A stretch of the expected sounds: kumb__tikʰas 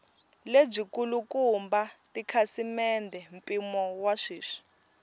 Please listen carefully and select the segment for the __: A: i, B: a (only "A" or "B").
B